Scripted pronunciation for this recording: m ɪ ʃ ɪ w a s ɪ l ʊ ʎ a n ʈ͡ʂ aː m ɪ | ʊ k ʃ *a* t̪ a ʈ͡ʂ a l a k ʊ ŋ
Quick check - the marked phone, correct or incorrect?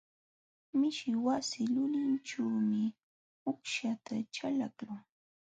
correct